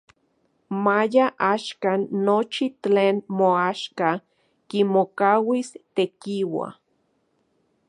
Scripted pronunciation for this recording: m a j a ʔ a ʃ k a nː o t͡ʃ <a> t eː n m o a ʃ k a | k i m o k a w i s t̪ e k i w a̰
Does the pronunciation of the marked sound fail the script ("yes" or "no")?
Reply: yes